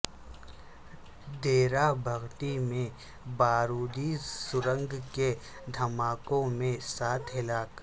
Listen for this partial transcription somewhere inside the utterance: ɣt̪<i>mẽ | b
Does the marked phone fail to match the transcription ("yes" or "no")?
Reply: no